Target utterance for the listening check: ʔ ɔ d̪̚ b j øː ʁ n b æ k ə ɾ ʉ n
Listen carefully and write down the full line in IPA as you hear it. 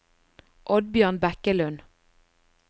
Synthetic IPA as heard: ʔ ɔ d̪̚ b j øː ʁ n b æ k ə l ʉ n